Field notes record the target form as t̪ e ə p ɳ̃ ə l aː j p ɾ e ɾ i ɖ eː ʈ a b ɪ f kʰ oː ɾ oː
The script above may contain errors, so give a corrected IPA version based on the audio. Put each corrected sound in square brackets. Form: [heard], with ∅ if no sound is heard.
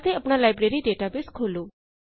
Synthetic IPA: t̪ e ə p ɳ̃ [a] l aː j [b] ɾ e ɾ i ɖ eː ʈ a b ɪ [s] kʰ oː [l] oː